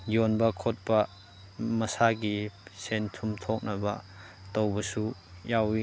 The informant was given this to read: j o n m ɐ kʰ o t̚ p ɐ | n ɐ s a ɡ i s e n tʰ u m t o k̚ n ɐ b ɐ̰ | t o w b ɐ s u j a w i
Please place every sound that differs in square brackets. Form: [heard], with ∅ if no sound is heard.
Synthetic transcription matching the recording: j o n [b] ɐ kʰ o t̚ p ɐ | [m] ɐ s a ɡ i s e n tʰ u m [tʰ] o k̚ n ɐ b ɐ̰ | t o w b ɐ s u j a w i